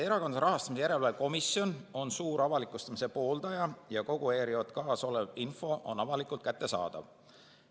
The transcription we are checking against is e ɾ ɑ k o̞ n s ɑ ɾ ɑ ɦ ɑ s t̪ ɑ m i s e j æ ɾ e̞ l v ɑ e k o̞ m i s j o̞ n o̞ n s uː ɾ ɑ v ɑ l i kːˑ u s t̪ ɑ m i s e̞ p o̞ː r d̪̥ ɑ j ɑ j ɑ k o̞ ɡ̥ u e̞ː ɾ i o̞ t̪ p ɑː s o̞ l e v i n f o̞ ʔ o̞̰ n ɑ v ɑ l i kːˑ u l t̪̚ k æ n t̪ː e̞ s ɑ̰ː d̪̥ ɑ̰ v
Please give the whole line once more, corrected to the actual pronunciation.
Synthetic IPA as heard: e ɾ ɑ k o̞ n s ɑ ɾ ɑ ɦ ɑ s t̪ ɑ m i s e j æ ɾ e̞ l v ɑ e k o̞ m i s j o̞ n o̞ n s uː ɾ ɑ v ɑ l i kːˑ u s t̪ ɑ m i s e̞ p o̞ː l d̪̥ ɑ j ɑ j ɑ k o̞ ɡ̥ u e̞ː ɾ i o̞ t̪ k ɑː s o̞ l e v i n f o̞ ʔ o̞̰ n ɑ v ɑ l i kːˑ u l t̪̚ k æ t̪ː e̞ s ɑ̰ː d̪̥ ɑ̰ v